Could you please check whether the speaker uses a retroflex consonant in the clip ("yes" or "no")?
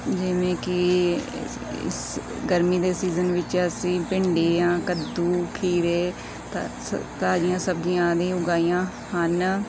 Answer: yes